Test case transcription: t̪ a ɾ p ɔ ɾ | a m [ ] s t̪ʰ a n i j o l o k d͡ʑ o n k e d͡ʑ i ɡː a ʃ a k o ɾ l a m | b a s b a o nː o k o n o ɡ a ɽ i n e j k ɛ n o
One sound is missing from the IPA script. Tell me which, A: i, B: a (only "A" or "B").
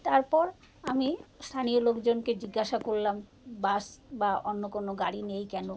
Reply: A